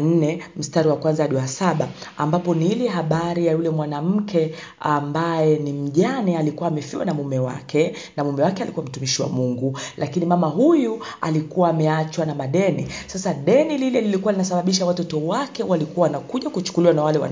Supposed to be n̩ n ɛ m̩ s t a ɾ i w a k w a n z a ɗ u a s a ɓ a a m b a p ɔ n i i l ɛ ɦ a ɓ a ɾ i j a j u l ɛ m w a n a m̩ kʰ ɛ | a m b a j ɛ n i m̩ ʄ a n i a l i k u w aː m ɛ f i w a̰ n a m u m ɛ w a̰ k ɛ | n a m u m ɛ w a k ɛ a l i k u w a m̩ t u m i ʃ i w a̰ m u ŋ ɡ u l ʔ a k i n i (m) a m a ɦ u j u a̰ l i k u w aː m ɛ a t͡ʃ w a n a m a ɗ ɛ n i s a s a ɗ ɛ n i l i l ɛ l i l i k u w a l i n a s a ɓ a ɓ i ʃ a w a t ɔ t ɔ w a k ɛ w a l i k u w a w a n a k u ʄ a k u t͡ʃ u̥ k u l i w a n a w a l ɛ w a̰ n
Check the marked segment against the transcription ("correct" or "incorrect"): correct